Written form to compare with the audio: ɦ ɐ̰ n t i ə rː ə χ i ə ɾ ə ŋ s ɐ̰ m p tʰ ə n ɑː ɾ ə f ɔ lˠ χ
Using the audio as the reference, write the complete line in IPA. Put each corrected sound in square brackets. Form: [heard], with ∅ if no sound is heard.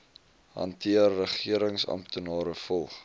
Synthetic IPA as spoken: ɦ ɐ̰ n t i ə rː ə χ i ə ɾ ə ŋ s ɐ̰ m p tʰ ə n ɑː ɾ ə f ɔ lˠ χ